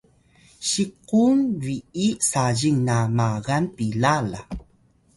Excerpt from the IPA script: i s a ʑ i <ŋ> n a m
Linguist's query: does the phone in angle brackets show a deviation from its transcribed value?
no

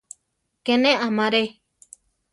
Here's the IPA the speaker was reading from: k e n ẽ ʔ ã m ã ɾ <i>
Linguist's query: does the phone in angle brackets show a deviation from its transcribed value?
yes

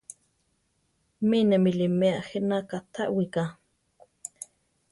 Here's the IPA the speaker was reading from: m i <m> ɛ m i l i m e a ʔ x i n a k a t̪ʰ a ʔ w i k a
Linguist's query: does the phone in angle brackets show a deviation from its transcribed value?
yes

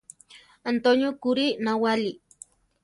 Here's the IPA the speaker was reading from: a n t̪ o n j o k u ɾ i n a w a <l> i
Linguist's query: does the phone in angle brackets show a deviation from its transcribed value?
no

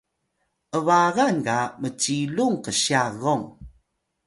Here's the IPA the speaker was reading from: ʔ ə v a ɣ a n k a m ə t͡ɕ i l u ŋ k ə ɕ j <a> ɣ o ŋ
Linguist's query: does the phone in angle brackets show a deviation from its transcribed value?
no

